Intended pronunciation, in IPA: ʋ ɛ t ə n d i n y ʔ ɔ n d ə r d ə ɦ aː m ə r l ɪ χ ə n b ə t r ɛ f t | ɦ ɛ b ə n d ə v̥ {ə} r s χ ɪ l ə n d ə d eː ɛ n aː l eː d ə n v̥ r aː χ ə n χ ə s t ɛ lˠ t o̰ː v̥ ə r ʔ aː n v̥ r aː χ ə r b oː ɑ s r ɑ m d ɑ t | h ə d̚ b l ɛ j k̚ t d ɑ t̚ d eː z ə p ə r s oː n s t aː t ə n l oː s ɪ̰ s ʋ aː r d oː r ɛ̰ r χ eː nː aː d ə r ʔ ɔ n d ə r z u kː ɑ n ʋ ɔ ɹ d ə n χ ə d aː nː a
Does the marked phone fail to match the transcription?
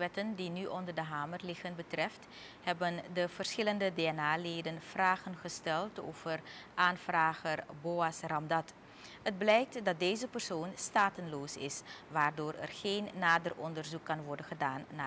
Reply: no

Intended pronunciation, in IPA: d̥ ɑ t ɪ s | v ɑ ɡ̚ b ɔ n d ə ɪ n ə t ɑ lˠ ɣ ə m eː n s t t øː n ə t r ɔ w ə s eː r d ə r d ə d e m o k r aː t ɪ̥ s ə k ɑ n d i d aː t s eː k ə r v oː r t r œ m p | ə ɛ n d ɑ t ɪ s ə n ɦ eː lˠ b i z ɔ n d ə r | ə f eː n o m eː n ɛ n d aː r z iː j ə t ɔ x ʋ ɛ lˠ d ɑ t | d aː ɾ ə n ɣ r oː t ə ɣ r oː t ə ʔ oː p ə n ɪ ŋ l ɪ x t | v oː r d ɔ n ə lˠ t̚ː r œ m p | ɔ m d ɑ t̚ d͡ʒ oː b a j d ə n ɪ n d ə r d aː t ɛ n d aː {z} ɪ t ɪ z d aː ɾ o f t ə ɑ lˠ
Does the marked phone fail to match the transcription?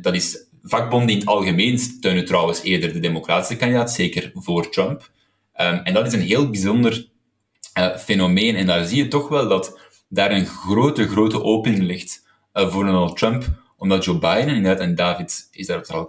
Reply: yes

